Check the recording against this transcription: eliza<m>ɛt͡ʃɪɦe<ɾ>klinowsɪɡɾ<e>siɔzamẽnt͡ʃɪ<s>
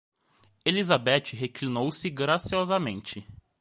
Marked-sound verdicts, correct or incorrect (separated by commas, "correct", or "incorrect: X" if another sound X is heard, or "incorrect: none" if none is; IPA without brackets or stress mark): incorrect: b, incorrect: none, incorrect: a, incorrect: none